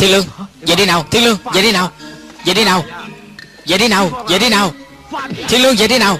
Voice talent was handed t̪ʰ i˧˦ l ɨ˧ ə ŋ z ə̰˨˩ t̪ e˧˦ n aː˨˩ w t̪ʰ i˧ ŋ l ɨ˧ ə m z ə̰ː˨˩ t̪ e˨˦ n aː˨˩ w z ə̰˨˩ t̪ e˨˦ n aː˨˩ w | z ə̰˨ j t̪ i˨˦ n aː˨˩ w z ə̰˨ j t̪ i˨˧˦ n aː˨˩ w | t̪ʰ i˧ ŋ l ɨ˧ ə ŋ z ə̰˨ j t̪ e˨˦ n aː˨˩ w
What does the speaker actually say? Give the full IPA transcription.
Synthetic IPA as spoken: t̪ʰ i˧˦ l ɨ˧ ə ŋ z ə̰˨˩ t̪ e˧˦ n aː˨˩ w t̪ʰ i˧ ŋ l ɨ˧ ə ŋ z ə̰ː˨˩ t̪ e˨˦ n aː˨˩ w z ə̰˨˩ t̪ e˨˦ n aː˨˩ w | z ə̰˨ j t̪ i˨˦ n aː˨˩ w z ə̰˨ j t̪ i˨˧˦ n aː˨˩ w | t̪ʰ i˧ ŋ l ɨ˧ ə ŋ z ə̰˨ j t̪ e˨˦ n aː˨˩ w